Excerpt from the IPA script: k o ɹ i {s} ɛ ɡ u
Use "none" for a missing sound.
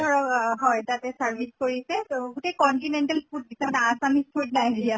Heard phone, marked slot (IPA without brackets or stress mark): s